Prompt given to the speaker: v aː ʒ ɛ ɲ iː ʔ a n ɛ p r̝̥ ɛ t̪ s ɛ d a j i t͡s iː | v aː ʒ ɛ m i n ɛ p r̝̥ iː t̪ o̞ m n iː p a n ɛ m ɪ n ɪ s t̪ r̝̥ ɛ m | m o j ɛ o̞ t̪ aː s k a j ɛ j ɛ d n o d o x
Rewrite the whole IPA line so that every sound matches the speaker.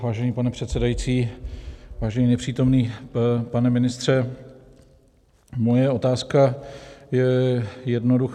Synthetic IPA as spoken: v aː ʒ ɛ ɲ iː p a n ɛ p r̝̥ ɛ t̪ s ɛ d a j i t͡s iː | v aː ʒ ɛ ɲ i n ɛ p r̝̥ iː t̪ o̞ m n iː p a n ɛ m ɪ n ɪ s t̪ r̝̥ ɛ | m o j ɛ o̞ t̪ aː s k a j ɛ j ɛ d n o d u x